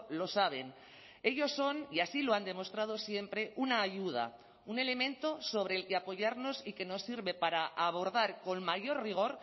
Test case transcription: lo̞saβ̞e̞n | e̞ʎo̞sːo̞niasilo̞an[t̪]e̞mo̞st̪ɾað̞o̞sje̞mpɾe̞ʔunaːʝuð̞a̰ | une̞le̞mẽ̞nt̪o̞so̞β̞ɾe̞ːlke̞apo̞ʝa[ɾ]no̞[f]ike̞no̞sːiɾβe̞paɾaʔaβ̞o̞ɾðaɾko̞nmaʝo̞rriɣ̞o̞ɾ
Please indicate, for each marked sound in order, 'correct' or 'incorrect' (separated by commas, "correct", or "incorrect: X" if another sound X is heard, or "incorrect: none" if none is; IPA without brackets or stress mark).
incorrect: d̪, correct, incorrect: s